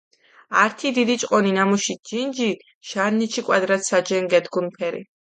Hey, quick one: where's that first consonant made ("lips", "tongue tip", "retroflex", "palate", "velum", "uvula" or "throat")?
tongue tip